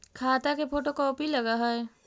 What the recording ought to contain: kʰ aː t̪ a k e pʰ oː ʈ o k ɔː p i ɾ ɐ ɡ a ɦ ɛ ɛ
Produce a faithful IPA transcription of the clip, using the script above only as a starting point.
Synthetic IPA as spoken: kʰ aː t̪ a k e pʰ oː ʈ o k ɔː p i l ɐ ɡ a ɦ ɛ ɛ